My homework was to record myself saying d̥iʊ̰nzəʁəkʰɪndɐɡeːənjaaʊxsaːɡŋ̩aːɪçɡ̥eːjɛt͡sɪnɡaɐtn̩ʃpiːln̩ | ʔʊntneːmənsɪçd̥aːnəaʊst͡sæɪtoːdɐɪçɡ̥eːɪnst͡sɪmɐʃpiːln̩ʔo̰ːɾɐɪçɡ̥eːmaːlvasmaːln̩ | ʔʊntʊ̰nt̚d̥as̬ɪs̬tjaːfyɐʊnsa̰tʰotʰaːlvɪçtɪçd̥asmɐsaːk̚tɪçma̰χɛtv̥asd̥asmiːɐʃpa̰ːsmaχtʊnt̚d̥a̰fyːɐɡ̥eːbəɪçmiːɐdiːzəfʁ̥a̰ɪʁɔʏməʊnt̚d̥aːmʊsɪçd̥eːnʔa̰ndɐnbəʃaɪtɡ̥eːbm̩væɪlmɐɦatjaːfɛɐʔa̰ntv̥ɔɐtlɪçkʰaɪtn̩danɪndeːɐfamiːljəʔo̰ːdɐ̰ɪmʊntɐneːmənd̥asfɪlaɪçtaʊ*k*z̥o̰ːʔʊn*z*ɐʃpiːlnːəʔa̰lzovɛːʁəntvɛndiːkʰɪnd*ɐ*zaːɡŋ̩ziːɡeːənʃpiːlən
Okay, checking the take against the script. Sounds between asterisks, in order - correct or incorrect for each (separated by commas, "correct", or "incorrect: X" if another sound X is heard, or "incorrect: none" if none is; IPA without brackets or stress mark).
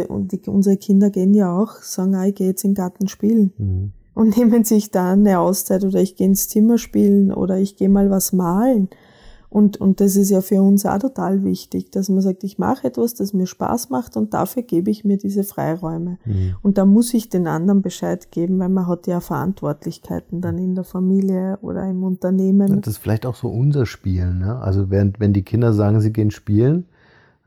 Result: incorrect: x, correct, correct